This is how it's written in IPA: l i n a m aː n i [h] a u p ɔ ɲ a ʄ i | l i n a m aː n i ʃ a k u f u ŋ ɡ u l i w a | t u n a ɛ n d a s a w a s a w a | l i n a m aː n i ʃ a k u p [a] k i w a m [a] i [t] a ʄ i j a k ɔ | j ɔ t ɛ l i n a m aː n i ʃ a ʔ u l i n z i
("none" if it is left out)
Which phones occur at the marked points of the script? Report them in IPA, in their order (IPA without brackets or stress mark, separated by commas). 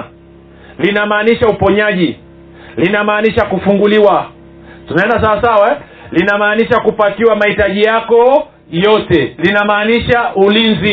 ʃ, a, a, t